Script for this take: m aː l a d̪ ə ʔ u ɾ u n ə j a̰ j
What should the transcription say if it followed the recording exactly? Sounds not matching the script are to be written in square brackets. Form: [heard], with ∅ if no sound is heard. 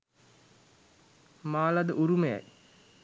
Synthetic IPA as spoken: m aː l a d̪ ə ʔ u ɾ u [m] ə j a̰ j